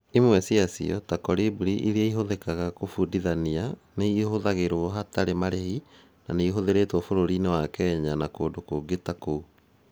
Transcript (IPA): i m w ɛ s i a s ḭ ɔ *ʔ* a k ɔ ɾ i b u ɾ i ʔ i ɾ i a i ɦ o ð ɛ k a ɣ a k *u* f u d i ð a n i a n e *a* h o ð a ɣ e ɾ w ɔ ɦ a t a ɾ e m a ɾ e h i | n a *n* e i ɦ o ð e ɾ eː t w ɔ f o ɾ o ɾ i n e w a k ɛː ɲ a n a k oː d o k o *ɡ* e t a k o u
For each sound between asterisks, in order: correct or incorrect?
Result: incorrect, incorrect, incorrect, correct, correct

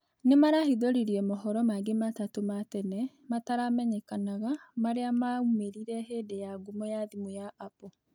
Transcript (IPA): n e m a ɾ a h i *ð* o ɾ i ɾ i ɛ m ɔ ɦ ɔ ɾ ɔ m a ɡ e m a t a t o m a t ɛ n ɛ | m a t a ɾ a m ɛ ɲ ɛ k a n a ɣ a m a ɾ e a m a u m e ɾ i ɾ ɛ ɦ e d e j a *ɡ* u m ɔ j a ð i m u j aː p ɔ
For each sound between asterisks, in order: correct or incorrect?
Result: correct, correct

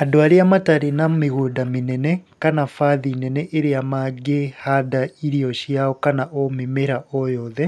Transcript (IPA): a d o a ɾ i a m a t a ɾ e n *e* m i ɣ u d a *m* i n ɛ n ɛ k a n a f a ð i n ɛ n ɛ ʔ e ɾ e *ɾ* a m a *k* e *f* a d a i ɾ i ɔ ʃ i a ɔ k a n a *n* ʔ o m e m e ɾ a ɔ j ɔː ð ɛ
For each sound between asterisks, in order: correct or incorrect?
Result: incorrect, correct, incorrect, incorrect, incorrect, incorrect

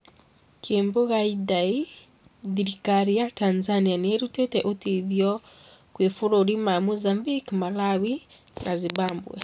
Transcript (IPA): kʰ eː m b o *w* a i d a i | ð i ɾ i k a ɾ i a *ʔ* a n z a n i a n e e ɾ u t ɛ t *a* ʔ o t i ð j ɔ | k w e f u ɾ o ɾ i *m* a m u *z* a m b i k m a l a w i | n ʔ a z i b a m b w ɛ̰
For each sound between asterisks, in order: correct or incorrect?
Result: incorrect, incorrect, incorrect, correct, correct

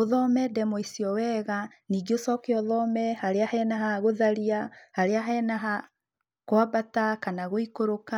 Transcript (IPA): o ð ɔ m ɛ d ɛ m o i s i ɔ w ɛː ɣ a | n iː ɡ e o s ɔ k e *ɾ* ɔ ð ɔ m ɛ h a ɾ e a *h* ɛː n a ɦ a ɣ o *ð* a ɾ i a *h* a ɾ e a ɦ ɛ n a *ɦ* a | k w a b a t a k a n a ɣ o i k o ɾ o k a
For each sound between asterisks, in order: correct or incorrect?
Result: incorrect, correct, correct, correct, correct

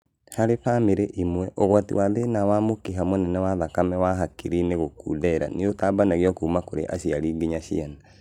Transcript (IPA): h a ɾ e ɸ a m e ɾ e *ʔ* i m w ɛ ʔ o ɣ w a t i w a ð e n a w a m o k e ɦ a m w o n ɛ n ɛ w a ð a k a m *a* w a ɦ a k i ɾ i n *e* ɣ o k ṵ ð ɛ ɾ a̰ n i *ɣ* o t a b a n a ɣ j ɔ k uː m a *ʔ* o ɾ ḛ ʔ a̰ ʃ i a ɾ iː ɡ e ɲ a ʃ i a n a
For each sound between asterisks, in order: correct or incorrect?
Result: correct, incorrect, correct, incorrect, incorrect

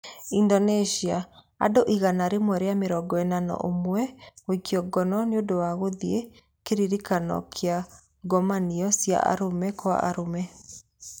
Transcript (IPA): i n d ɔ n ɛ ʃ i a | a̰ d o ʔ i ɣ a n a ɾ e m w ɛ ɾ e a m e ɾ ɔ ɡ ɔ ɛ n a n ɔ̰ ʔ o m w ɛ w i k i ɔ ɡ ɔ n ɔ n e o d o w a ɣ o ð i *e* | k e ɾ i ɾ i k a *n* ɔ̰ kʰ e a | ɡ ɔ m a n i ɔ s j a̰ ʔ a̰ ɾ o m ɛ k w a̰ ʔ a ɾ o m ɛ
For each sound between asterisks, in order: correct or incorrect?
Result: correct, correct

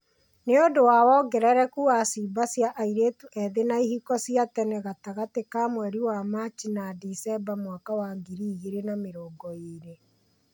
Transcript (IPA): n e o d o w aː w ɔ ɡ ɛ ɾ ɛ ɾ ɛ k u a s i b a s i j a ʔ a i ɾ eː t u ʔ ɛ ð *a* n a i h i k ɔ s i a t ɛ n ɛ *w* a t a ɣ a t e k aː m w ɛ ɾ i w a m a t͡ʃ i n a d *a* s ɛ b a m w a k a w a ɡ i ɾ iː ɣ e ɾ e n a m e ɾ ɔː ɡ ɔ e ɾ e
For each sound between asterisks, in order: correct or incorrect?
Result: incorrect, incorrect, incorrect

